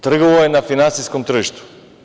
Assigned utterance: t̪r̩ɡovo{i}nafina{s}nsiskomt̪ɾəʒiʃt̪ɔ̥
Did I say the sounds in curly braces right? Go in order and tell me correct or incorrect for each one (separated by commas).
incorrect, incorrect